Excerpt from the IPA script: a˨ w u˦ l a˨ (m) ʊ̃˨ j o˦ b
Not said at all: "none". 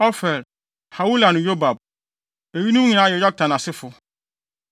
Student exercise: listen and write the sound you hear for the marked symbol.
n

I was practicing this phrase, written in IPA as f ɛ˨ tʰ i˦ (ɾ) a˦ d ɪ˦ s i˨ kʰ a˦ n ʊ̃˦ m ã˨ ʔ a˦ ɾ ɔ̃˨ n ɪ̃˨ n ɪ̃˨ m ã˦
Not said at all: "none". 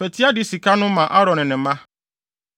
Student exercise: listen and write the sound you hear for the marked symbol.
none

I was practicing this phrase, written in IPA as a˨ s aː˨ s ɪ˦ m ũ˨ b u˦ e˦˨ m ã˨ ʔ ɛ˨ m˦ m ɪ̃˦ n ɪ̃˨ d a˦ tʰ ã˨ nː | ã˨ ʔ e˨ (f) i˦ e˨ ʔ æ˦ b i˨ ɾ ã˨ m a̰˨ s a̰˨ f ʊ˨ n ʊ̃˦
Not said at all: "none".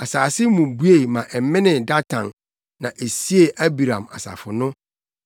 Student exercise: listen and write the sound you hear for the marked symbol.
s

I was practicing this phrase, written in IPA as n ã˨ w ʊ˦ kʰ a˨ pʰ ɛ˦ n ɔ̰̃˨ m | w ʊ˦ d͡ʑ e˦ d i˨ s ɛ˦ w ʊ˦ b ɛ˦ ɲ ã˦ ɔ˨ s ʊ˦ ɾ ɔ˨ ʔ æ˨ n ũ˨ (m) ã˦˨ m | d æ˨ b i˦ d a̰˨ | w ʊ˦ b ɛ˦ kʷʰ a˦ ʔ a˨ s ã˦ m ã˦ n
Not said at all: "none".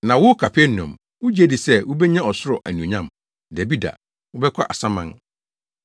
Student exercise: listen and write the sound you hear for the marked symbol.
ɲ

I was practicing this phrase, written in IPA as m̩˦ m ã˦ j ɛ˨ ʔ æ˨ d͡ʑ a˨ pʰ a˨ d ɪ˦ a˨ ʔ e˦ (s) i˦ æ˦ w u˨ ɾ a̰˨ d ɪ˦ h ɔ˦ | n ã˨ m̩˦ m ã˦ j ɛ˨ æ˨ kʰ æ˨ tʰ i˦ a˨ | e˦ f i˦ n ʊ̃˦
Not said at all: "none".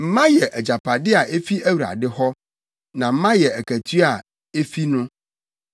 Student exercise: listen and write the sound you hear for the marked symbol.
f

